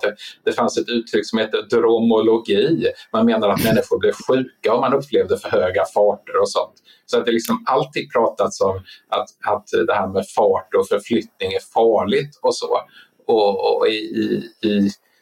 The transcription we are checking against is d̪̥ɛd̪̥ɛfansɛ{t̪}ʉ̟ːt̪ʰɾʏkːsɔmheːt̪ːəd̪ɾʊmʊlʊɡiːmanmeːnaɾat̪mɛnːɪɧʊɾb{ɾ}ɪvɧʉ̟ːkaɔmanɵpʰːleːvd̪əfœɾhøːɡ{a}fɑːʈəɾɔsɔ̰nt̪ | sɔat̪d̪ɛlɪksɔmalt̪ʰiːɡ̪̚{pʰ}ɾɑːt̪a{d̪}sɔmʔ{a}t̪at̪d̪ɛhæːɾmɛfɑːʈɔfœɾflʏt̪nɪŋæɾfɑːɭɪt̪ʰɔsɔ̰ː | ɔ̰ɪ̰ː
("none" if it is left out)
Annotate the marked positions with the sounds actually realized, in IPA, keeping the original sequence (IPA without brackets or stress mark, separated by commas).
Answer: t̪, l, a, pʰ, t̪, a